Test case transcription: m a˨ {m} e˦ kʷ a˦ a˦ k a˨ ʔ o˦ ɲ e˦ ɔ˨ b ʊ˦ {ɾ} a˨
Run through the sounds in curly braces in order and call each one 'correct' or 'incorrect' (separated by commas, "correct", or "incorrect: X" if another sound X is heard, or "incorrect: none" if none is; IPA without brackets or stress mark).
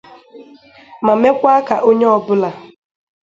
correct, incorrect: l